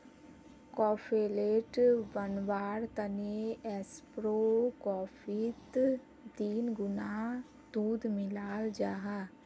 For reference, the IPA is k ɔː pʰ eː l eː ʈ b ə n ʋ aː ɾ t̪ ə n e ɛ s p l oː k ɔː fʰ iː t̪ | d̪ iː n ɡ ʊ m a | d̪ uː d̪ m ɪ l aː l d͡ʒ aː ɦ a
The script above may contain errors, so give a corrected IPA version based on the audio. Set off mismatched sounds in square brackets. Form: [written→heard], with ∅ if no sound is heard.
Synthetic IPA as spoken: k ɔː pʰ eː l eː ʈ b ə n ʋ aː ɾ t̪ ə n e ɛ s p [l→ɾ] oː k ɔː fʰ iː t̪ | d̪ iː n ɡ ʊ [m→n] a | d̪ uː d̪ m ɪ l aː l d͡ʒ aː ɦ a

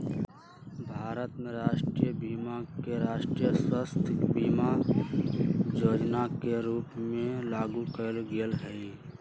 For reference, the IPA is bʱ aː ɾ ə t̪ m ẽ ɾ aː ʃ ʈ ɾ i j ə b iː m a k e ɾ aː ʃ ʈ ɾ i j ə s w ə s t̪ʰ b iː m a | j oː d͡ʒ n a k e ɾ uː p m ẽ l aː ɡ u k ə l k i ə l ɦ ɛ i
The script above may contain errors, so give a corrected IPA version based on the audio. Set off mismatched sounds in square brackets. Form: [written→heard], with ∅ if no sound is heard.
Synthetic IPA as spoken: bʱ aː ɾ ə t̪ m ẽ ɾ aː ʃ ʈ ɾ i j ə b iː m a k e ɾ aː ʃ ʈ ɾ i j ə s w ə s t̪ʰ b iː m a | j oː d͡ʒ n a k e ɾ uː p m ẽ l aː ɡ u k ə l [k→ɡ] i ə l ɦ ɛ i

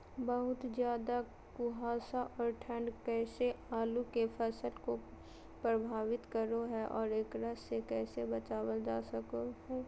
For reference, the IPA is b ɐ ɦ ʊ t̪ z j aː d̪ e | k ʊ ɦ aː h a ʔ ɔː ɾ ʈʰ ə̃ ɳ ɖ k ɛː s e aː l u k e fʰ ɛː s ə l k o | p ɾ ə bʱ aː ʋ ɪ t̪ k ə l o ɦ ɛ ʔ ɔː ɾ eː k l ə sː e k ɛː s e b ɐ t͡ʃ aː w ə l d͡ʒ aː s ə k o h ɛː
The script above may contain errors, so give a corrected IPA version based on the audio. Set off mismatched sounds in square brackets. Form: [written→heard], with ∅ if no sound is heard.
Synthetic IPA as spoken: b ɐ ɦ ʊ t̪ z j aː d̪ [e→a] | k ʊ ɦ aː [h→s] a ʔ ɔː ɾ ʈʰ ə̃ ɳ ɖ k ɛː s e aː l u k e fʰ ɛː s ə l k o | p ɾ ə bʱ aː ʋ ɪ t̪ k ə [l→ɾ] o ɦ ɛ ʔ ɔː ɾ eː k [l→ɾ] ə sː e k ɛː s e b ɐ t͡ʃ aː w ə l d͡ʒ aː s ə k o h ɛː

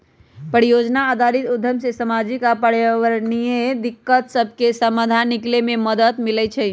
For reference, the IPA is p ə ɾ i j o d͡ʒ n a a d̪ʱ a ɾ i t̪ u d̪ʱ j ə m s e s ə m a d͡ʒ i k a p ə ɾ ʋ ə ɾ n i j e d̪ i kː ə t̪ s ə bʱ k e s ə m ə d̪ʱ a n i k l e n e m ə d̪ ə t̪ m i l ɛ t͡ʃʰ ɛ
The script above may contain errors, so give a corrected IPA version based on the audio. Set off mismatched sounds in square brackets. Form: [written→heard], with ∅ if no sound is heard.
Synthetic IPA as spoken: p ə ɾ i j o d͡ʒ n a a d̪ʱ a ɾ i t̪ u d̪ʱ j ə m s e s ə m a d͡ʒ i k a p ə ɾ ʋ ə ɾ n i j e d̪ i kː ə t̪ s ə bʱ k e s ə m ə d̪ʱ a n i k l e [n→m] e m ə d̪ ə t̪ m i l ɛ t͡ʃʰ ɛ

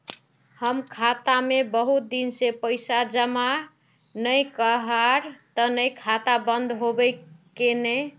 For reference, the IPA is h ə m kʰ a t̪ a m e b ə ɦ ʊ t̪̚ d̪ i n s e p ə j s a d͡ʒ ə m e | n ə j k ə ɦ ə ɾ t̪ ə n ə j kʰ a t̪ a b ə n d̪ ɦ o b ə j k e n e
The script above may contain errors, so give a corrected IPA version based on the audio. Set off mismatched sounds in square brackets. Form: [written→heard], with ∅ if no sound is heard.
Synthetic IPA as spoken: h ə m kʰ a t̪ a m e b ə ɦ [ʊ→u] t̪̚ d̪ i n s e p ə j s a d͡ʒ ə m [e→a] | n ə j k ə ɦ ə ɾ t̪ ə n ə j kʰ a t̪ a b ə n d̪ ɦ o b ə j k e n e

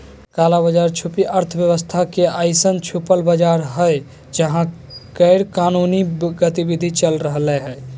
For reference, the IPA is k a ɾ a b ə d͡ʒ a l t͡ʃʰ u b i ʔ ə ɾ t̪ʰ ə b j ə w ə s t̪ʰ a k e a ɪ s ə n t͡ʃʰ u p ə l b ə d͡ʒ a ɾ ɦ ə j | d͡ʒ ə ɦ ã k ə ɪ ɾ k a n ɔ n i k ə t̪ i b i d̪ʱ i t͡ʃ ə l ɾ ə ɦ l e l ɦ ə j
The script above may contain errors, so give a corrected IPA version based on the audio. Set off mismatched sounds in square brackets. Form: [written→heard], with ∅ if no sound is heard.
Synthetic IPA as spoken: k a [ɾ→l] a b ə d͡ʒ a [l→ɾ] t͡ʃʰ u [b→p] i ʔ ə ɾ t̪ʰ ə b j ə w ə s t̪ʰ a k e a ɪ s ə n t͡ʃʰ u p ə l b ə d͡ʒ a ɾ ɦ ə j | d͡ʒ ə ɦ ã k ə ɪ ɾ k a n [ɔ→u] n i [k→ɡ] ə t̪ i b i d̪ʱ i t͡ʃ ə l ɾ ə ɦ l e [l→∅] ɦ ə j

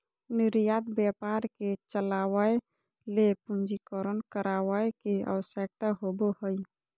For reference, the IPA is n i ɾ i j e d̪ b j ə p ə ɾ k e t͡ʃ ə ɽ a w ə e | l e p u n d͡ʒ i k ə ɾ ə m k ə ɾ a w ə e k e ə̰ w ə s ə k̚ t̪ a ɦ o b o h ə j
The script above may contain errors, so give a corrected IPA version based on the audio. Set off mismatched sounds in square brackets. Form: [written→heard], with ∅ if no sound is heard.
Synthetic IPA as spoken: n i ɾ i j [e→a] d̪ b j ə p [ə→a] ɾ k e t͡ʃ ə [ɽ→l] a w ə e | l e p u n d͡ʒ i k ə ɾ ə [m→n] k ə ɾ a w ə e k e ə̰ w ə s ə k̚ t̪ a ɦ o b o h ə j

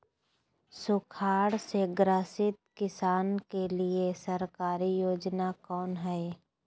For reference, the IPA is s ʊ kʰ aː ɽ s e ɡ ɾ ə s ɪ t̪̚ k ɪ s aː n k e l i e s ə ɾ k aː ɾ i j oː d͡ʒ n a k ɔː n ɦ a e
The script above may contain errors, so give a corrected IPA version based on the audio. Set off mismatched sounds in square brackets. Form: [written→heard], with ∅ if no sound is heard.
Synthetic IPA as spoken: s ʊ kʰ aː ɽ s e ɡ ɾ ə s ɪ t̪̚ k ɪ s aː n k e l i e s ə ɾ k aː ɾ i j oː d͡ʒ n a k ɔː n ɦ [a→ɛ] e

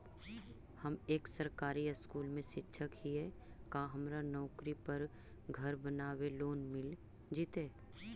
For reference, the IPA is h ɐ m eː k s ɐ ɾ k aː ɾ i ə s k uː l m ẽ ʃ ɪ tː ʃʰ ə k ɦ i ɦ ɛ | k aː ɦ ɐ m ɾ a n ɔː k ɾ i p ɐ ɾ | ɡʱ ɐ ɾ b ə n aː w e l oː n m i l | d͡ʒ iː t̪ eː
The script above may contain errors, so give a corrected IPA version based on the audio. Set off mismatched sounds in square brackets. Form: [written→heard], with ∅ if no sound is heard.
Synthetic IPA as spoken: h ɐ m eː k s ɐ ɾ k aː ɾ i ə s k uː l m ẽ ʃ ɪ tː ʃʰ ə k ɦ i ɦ ɛ | k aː ɦ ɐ m ɾ a n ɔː k ɾ i p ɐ ɾ | ɡʱ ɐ ɾ b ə n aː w e l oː n m [i→ɪ] l | d͡ʒ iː t̪ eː

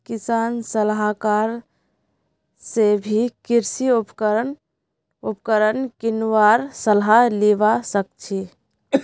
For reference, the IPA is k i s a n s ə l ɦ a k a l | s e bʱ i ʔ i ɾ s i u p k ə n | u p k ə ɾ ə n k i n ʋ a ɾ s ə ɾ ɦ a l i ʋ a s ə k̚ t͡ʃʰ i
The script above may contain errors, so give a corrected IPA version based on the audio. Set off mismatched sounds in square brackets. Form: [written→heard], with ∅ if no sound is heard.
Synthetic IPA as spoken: k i s a n s ə l ɦ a k a [l→ɾ] | s e bʱ i [ʔ→k] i ɾ s i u p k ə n | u p k ə ɾ ə n k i n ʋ a ɾ s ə [ɾ→l] ɦ a l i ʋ a s ə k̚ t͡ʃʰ i

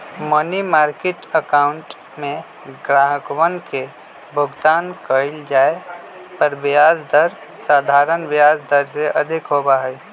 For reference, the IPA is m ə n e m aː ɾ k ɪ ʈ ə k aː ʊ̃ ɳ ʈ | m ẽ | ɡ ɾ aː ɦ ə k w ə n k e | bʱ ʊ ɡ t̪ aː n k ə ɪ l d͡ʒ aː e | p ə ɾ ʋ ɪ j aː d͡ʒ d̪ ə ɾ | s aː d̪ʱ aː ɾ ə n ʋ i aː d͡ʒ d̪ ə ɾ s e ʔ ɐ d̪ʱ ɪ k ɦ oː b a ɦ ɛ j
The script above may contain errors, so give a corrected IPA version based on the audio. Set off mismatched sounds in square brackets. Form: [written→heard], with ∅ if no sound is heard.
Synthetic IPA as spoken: m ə n [e→i] m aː ɾ k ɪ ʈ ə k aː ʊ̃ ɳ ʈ | m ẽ | ɡ ɾ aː ɦ ə k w ə n k e | bʱ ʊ ɡ t̪ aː n k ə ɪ l d͡ʒ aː e | p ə ɾ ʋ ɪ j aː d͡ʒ d̪ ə ɾ | s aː d̪ʱ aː ɾ ə n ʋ [i→j] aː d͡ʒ d̪ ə ɾ s e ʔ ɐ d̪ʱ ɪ k ɦ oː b a ɦ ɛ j

